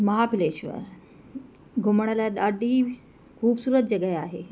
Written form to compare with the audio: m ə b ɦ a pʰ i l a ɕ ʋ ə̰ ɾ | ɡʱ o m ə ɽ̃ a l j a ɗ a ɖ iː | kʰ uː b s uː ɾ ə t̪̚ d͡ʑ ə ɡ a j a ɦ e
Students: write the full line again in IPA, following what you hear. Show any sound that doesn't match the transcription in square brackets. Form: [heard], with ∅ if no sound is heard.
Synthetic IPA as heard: m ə [∅] ɦ a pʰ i l [e] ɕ ʋ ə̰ ɾ | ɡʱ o m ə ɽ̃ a l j a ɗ a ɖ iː | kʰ uː b s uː ɾ ə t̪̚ d͡ʑ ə ɡ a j a ɦ e